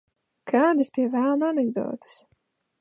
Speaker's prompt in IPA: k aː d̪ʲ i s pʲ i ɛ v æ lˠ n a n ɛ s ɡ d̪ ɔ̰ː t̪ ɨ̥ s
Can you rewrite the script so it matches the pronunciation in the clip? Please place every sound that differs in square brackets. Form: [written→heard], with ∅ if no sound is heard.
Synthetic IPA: k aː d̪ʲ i s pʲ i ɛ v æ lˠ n a n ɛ [s→∅] ɡ d̪ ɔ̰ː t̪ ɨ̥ s